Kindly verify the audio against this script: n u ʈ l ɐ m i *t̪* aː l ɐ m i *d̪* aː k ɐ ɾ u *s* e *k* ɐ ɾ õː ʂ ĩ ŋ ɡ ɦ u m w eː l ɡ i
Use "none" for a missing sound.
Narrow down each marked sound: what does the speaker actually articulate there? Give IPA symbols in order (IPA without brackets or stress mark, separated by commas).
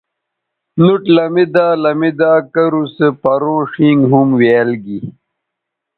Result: d̪, d̪, s, p